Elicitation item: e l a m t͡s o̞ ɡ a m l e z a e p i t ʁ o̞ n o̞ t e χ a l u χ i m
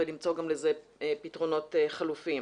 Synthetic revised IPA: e l i m t͡s o̞ ɡ a m l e z e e p i t ʁ o̞ n o̞ t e χ a l u f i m